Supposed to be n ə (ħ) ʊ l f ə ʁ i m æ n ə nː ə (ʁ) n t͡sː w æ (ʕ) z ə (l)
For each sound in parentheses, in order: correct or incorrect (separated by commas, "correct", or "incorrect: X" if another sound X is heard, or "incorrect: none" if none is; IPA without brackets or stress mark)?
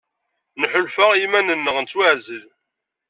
correct, correct, correct, correct